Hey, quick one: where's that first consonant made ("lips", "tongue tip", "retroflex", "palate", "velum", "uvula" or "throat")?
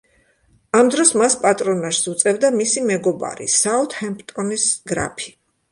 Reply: lips